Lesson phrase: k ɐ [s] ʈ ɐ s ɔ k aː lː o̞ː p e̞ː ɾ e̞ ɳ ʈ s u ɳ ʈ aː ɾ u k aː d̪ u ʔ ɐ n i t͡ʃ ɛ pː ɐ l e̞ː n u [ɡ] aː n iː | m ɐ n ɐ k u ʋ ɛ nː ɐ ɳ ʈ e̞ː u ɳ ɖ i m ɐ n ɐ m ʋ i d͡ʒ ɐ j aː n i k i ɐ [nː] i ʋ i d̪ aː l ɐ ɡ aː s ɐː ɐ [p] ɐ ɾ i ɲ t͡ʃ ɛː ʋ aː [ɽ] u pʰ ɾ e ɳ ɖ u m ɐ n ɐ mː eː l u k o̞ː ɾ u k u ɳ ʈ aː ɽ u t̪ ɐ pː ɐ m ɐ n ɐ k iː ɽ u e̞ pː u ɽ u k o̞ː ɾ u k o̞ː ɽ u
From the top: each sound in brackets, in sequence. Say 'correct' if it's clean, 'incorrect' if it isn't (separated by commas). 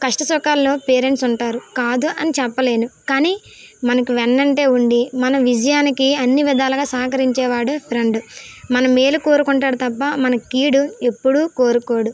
incorrect, incorrect, correct, incorrect, correct